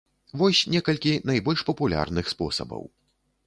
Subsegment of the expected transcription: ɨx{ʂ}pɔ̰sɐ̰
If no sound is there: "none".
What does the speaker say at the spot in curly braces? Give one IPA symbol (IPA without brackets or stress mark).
s